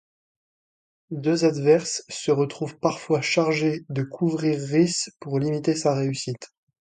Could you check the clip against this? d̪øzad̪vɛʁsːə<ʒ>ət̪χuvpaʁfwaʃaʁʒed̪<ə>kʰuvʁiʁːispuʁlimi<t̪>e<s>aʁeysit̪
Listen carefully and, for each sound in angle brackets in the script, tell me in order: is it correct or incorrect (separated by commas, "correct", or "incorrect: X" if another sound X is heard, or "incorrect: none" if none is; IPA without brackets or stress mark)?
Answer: incorrect: ʁ, correct, correct, correct